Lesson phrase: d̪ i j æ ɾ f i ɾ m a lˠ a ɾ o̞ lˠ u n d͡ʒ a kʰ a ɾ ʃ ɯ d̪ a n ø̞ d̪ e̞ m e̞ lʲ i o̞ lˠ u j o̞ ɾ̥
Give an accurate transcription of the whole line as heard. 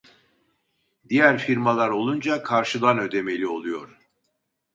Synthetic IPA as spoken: d̪ i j æ ɾ f i ɾ m a lˠ a ɾ o̞ lˠ u n d͡ʒ a kʰ a ɾ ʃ ɯ d̪ a n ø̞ d̪ e̞ m e̞ lʲ i o̞ lˠ u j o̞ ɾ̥